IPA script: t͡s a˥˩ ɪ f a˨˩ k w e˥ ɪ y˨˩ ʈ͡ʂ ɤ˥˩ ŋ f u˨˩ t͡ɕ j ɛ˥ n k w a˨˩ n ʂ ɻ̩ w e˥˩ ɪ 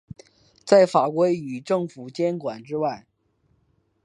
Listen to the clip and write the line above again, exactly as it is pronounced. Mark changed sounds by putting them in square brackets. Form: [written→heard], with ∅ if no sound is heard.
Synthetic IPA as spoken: t͡s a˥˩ ɪ f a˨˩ k w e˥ ɪ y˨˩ ʈ͡ʂ ɤ˥˩ ŋ f u˨˩ t͡ɕ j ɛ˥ n k w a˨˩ n [ʂ→ʈ͡ʂ] ɻ̩ w [e˥˩→a˥˩] ɪ